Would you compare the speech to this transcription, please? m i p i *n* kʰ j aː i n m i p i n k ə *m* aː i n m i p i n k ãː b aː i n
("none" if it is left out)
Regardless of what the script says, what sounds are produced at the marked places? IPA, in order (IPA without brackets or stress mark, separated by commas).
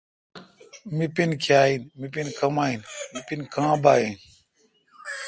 n, m